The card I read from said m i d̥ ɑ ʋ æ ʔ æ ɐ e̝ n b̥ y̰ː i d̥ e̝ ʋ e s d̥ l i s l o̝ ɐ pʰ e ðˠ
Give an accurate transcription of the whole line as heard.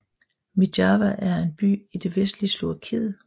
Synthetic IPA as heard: m i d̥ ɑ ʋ æ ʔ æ ɐ e̝ n b̥ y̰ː i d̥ e̝ ʋ e s d̥ l i s l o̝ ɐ kʰ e ðˠ

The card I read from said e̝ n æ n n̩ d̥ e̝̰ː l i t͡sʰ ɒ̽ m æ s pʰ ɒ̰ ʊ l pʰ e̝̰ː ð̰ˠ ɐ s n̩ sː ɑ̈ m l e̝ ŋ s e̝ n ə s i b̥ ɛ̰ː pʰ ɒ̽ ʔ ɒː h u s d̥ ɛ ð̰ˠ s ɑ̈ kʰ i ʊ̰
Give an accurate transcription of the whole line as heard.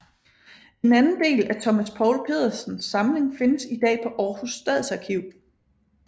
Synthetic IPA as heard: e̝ n æ n n̩ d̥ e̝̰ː l æ t͡sʰ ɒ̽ m æ s pʰ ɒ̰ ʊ l pʰ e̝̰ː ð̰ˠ ɐ s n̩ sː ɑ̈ m l e̝ ŋ f e̝ n ə s i d̥ ɛ̰ː pʰ ɒ̽ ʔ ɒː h u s d̥ ɛ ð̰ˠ s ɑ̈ kʰ i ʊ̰

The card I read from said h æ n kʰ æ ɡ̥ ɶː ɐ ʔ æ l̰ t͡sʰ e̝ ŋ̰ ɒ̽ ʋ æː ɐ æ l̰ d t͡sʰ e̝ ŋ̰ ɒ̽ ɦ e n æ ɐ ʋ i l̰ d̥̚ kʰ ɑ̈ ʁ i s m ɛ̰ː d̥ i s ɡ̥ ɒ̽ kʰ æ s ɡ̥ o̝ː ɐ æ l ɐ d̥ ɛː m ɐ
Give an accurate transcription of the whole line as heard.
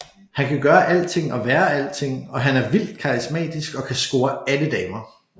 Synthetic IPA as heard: h æ n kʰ æ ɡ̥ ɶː ɐ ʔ æ l̰ t͡sʰ e̝ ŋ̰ ɒ̽ ʋ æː ɐ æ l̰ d t͡sʰ e̝ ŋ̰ ɒ̽ ɦ æ n æ ɐ ʋ i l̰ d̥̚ kʰ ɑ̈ ʁ i s m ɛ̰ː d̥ i s ɡ̥ ɒ̽ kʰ æ s ɡ̥ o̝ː ɐ æ l ə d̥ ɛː m ɐ

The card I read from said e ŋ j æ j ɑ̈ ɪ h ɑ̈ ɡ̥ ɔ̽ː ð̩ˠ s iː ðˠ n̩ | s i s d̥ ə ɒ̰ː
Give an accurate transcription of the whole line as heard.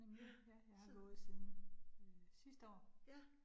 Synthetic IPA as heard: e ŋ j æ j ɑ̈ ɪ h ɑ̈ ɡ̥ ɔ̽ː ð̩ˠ s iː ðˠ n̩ | s i s d̥ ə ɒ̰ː

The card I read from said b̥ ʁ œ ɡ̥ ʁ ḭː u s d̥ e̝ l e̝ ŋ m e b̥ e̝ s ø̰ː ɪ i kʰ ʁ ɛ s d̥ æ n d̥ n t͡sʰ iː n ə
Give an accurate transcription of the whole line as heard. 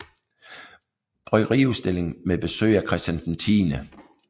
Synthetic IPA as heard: b̥ ʁ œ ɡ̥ ʁ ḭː u s d̥ e̝ l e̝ ŋ m e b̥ e̝ s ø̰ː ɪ æ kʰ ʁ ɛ s d̥ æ n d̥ n t͡sʰ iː n ə

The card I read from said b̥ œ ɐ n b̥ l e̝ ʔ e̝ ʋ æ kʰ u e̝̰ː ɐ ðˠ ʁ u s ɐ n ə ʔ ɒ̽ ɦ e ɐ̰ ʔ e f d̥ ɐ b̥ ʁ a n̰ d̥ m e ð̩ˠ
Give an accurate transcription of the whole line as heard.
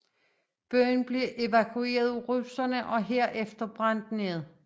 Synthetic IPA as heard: b̥ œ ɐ n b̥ l e̝ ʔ e̝ ʋ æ kʰ u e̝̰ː ɐ ðˠ ʁ u s ɐ n ə ʔ ɒ̽ ɦ e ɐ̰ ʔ e f d̥ ɐ b̥ ʁ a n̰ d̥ n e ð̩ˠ

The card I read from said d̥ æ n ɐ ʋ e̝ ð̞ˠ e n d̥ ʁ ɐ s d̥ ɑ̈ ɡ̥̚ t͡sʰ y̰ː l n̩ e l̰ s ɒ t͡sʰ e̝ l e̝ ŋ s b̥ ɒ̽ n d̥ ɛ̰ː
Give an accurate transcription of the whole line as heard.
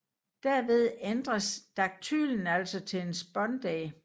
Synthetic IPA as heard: d̥ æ ɐ ʋ e̝ ð̞ˠ e n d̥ ʁ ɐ s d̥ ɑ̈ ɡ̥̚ t͡sʰ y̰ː l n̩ æ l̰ s ɒ t͡sʰ e̝ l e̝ n s b̥ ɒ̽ n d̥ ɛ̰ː

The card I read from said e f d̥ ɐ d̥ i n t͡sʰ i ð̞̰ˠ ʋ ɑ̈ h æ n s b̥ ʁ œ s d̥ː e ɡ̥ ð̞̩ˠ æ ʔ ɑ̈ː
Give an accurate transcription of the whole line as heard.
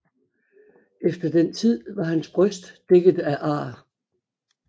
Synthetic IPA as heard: e f d̥ ɐ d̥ e n t͡sʰ i ð̞̰ˠ ʋ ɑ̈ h æ n s b̥ ʁ œ s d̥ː e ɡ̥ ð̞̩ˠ æ ʔ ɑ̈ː

